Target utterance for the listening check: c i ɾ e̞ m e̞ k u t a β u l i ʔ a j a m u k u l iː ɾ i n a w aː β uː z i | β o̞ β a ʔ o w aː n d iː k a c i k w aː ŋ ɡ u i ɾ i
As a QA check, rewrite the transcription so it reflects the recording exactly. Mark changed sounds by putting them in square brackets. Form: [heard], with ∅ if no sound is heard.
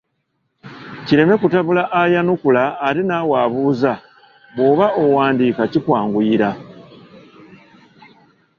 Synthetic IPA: c i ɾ e̞ m e̞ k u t a β u l [a] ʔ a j a [n] u k u l [aː] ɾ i n a w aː β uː z [a] | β o̞ β a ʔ o w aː n d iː k a c i k w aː ŋ ɡ u i ɾ [a]